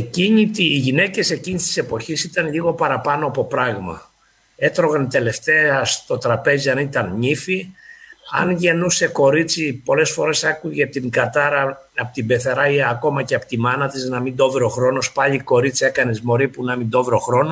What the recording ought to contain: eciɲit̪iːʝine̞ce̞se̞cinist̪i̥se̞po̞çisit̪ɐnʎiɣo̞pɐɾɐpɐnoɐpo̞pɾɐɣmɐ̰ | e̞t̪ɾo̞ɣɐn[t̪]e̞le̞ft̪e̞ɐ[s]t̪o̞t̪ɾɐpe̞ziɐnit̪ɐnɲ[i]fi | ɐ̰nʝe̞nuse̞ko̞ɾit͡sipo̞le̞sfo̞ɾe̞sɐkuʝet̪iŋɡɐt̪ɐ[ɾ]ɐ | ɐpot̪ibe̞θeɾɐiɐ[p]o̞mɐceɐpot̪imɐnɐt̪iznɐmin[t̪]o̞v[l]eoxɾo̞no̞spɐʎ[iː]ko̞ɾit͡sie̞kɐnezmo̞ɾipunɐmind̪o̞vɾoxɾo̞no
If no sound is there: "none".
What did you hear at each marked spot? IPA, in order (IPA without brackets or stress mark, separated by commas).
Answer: t̪, s, i, ɾ, k, d̪, ɾ, i